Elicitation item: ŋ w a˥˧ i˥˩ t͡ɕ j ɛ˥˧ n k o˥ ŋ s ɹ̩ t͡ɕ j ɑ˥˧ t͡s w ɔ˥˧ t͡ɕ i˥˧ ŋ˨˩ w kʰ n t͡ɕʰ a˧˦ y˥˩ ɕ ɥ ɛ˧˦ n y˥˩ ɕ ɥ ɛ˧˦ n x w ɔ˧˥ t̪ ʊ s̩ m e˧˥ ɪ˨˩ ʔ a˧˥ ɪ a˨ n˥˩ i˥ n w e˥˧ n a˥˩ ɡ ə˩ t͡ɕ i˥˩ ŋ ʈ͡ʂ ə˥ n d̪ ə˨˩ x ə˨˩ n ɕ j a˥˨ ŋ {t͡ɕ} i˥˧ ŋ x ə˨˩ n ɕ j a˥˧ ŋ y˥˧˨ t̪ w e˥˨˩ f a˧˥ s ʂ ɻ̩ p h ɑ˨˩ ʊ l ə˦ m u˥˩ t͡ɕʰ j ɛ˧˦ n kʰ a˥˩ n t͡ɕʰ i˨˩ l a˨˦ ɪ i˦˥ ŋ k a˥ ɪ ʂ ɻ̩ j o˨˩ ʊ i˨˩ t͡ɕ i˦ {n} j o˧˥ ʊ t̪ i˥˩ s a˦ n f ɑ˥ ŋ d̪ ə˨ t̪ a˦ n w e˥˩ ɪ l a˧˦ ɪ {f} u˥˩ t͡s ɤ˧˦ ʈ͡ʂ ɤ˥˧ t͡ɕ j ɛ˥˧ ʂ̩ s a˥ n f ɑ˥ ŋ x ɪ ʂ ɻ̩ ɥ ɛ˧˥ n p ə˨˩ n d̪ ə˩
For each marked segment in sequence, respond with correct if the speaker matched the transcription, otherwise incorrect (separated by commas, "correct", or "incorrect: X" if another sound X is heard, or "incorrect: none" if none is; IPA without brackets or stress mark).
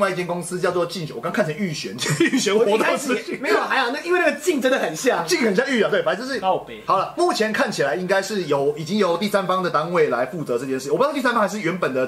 correct, incorrect: ŋ, correct